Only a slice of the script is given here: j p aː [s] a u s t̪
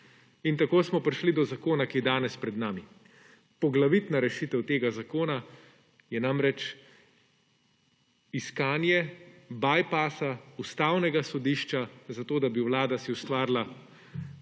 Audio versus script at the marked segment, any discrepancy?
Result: no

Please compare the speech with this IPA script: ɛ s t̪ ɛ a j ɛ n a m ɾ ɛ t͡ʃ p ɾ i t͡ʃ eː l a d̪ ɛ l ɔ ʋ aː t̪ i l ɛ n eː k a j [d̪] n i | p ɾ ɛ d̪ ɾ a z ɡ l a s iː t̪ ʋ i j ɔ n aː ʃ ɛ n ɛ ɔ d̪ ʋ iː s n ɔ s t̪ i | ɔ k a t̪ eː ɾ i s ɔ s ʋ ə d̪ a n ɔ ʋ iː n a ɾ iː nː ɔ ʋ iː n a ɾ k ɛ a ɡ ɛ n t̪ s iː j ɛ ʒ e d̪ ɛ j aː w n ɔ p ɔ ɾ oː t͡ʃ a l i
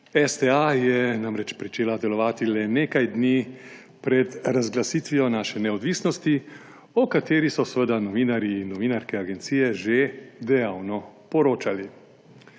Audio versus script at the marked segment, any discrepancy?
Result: no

